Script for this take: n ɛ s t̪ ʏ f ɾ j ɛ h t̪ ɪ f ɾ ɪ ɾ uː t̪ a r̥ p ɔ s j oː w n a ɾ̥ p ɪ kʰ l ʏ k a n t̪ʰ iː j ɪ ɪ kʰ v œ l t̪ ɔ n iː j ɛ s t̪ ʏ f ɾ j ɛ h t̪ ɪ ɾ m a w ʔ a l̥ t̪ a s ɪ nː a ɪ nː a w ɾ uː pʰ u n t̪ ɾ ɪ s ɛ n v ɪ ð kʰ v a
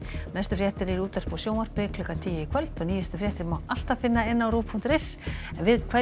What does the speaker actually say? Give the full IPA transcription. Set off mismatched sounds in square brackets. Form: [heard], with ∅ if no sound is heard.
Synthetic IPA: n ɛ s t̪ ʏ f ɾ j ɛ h t̪ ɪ [∅] ɾ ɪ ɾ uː t̪ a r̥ p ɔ s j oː w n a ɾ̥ p ɪ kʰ l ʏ k a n t̪ʰ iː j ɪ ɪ kʰ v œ l t̪ ɔ n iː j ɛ s t̪ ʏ f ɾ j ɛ h t̪ ɪ ɾ m a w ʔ a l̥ t̪ a [f] ɪ nː a ɪ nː a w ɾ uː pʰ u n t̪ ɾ ɪ s ɛ n v ɪ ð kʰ v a

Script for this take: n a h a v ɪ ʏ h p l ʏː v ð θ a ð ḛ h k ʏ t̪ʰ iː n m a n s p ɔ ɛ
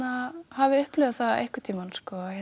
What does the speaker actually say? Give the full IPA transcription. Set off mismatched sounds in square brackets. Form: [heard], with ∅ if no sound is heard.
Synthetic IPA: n a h a v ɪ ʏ h p l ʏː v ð θ a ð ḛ h k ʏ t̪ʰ iː [∅] m a n s [k] ɔ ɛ

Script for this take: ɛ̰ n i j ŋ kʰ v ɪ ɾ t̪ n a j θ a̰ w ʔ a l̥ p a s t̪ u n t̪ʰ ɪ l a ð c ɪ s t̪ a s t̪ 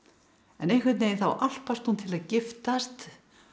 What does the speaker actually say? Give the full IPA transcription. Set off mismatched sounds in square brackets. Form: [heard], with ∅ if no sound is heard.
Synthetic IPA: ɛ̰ n [e] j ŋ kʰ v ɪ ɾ t̪ n [e] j θ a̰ w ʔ a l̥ p a s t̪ u n t̪ʰ ɪ l a ð c ɪ [f] t̪ a s t̪

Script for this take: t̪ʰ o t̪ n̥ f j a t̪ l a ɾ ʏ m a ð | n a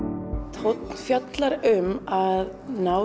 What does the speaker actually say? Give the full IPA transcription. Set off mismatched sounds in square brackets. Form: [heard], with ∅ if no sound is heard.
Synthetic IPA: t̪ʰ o t̪ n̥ f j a t̪ l a ɾ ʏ m a ð | n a

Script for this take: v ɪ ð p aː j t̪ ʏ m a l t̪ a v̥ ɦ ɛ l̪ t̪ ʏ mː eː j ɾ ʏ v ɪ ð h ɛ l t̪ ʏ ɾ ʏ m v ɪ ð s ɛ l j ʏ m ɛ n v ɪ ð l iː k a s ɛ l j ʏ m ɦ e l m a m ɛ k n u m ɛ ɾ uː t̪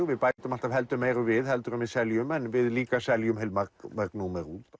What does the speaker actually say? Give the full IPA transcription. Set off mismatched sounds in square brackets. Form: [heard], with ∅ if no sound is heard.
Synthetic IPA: v ɪ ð p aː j t̪ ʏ m a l t̪ a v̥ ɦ ɛ l̪ t̪ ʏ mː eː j ɾ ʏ v ɪ ð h ɛ l t̪ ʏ ɾ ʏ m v ɪ ð s ɛ l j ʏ m ɛ n v ɪ ð l iː k a s ɛ l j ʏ m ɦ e l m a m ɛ k n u m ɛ ɾ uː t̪

